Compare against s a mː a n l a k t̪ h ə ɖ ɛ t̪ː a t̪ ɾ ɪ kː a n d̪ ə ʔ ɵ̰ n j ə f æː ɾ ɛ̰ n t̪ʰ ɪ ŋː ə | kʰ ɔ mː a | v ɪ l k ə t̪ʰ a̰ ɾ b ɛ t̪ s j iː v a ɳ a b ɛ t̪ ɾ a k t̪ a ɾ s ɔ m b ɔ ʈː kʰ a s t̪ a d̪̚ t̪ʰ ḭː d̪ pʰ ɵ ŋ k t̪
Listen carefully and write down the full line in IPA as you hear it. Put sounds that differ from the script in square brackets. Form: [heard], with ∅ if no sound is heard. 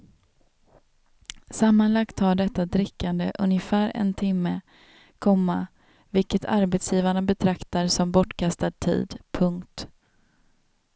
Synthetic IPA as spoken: s a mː a n l a k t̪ h [a] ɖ ɛ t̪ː a [d̪] ɾ ɪ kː a n d̪ ə ʔ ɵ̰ n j ə f æː ɾ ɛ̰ n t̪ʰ ɪ [mː] ə | kʰ ɔ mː a | v ɪ l k ə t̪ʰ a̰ ɾ b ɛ t̪ s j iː v a ɳ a b ɛ [t̪ʰ] ɾ a k t̪ a ɾ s ɔ m b ɔ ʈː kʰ a s t̪ a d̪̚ t̪ʰ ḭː d̪ pʰ ɵ ŋ k t̪